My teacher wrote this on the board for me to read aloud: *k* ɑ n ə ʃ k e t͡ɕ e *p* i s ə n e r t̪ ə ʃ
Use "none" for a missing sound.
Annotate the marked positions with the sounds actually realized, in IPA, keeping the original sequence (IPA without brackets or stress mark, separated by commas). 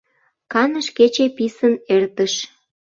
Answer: k, p